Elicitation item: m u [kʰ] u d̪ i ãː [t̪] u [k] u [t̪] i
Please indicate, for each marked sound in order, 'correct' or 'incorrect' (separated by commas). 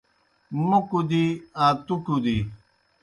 incorrect, correct, correct, incorrect